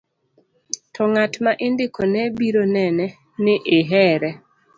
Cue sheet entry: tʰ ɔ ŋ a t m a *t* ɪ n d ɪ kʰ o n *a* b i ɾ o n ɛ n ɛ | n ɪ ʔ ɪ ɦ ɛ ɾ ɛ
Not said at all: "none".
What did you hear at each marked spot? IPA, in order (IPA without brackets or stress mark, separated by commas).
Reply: ʔ, ɛ